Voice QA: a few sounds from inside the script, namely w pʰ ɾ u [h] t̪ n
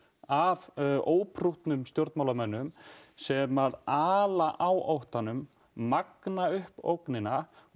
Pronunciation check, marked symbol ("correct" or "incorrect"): correct